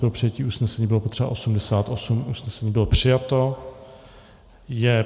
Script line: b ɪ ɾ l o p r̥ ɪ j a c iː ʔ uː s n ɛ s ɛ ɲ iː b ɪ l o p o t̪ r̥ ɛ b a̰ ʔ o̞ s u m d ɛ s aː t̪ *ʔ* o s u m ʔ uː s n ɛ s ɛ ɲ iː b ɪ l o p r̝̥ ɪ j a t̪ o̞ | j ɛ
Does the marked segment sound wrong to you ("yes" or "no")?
no